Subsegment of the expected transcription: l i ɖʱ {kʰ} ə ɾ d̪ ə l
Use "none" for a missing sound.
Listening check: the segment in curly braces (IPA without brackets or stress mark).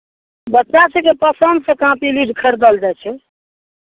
kʰ